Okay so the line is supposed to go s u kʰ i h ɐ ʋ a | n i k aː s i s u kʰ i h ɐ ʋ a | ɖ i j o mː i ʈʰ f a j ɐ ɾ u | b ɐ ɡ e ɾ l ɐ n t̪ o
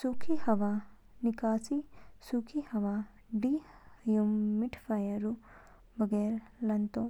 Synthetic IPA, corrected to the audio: s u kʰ i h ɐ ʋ a | n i k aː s i s u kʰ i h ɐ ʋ a | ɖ i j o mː i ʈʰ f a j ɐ ɾ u | b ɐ ɡ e ɾ l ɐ n t̪ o

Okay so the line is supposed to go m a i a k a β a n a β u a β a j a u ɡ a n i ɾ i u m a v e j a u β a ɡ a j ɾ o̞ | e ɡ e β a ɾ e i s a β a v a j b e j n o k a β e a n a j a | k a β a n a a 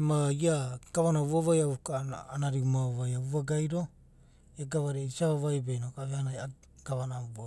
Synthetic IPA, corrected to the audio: m a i a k a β a n a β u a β a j a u k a n a ɾ i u m a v a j a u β a ɡ a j ɾ o̞ | e ɡ a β a ɾ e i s a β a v a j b e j n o k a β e a n a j a | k a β a n a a

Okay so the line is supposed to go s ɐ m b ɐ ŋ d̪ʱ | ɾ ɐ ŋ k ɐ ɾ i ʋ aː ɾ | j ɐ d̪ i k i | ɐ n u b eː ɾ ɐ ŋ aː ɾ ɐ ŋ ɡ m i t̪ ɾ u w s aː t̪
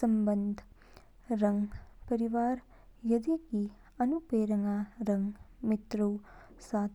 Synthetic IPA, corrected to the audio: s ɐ m b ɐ n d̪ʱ | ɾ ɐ ŋ p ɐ ɾ i ʋ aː ɾ | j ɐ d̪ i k i | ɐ n u p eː ɾ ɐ ŋ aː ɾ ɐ ŋ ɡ m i t̪ ɾ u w s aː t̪

